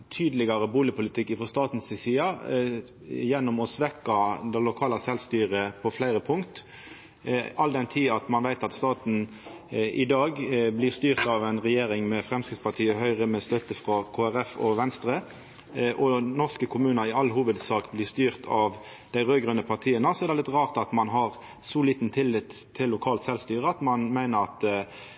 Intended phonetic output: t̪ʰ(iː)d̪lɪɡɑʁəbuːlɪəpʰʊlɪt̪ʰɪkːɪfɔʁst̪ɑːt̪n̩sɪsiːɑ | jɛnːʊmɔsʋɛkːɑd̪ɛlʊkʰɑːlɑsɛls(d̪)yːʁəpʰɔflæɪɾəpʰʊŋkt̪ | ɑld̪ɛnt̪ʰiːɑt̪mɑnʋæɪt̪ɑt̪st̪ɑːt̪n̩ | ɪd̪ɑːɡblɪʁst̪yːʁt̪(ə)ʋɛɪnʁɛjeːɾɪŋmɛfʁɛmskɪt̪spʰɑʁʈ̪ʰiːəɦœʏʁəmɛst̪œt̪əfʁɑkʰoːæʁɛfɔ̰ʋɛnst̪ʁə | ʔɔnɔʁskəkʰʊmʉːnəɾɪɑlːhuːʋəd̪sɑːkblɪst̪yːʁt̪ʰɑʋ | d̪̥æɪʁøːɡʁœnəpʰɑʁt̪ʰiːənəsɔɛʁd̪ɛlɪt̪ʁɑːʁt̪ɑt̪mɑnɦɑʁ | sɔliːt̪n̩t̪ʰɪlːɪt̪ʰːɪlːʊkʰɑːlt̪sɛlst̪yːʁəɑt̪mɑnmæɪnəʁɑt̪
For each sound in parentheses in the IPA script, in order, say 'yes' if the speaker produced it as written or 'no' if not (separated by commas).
no, no, no